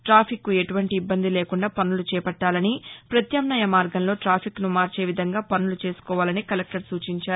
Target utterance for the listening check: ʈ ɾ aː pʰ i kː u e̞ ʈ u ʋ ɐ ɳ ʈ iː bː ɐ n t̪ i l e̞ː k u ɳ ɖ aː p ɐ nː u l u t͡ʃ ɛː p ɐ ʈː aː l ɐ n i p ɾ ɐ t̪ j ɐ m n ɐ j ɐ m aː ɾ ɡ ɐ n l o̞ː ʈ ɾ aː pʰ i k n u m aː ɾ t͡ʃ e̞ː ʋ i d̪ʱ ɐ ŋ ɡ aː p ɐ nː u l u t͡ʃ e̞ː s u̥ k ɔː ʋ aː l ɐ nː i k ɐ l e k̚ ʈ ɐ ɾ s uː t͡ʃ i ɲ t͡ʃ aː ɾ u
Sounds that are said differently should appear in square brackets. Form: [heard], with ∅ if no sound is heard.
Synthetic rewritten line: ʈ ɾ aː pʰ i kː u e̞ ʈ u ʋ ɐ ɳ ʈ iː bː ɐ n [d̪] i l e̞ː k u ɳ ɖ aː p ɐ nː u l u t͡ʃ ɛː p ɐ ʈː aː l ɐ n i p ɾ ɐ t̪ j ɐ m n ɐ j ɐ m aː ɾ ɡ ɐ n l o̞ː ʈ ɾ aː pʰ i k n u m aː ɾ t͡ʃ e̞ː ʋ i d̪ʱ ɐ ŋ ɡ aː p ɐ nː u l u t͡ʃ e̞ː s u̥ k ɔː ʋ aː l ɐ [n] i k ɐ l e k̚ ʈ ɐ ɾ s uː t͡ʃ i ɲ t͡ʃ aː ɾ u